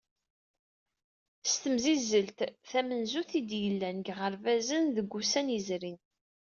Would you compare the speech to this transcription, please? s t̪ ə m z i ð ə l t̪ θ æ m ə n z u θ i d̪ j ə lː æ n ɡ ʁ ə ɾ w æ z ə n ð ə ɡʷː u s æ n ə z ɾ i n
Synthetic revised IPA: s t̪ ə m z i z ə l t̪ θ æ m ə n z u θ i d̪ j ə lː æ n ɡ ʁ ə ɾ v æ z ə n ð ə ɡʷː u s æ n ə z ɾ i n